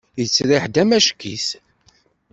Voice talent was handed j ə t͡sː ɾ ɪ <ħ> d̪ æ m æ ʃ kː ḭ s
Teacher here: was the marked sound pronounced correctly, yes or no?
yes